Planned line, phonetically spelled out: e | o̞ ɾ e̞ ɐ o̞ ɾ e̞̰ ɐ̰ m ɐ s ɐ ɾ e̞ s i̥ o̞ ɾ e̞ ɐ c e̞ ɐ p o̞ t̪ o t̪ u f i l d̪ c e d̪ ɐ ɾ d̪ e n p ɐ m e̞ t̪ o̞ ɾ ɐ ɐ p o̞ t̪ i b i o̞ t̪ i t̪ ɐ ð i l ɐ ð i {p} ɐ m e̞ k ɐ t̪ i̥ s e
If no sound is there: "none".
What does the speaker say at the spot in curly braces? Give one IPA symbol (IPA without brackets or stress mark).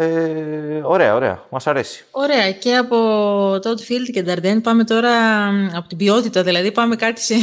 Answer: p